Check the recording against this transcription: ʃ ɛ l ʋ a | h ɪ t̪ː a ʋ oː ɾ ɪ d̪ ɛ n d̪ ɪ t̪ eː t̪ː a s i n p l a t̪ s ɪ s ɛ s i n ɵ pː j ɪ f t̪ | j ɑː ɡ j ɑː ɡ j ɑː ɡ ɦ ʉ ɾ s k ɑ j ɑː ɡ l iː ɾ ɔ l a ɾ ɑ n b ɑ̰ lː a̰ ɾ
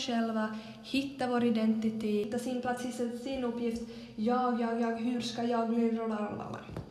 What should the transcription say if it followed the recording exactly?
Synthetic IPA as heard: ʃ ɛ l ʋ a | h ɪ t̪ː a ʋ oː ɾ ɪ d̪ ɛ n t̪ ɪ t̪ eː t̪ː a s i n p l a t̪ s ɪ s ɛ s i n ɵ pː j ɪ f t̪ | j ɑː ɡ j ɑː ɡ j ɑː ɡ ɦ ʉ ɾ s k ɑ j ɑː ɡ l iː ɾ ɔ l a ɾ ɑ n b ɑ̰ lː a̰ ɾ